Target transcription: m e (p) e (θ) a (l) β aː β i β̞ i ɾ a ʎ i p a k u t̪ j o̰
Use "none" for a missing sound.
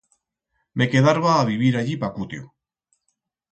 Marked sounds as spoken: k, ð, ɾ

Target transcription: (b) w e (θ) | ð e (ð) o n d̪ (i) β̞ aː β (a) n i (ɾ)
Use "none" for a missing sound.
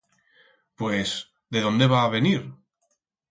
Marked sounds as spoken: p, s, ð, e, e, ɾ

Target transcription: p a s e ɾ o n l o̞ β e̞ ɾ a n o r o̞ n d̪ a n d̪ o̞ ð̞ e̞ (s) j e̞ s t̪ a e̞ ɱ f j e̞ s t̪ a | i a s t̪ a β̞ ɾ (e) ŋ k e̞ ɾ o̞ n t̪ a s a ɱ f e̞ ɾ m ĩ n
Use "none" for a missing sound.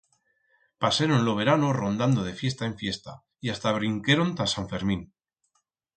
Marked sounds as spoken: f, i

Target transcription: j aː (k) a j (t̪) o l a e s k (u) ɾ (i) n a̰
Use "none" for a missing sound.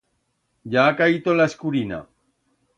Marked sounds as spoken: k, t̪, u, i

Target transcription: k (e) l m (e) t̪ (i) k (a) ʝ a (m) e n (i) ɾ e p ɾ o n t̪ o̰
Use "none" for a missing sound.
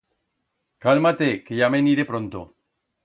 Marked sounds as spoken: a, a, e, e, m, i

